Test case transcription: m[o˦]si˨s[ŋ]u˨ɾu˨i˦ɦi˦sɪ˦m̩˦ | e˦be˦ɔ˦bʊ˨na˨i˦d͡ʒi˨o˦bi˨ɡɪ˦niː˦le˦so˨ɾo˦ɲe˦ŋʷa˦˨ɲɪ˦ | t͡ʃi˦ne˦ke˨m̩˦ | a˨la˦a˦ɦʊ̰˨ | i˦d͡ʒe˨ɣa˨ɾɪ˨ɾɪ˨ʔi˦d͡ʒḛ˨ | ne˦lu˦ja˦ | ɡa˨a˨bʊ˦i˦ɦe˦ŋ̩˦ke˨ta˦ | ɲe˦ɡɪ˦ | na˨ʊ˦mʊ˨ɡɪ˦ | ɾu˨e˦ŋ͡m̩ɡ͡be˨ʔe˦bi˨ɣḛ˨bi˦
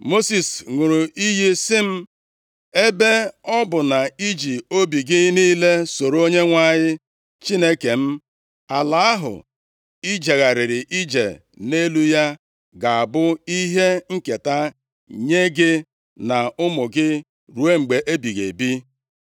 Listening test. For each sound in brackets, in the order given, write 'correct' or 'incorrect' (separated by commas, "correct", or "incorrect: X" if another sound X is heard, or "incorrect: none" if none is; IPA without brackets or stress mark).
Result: correct, correct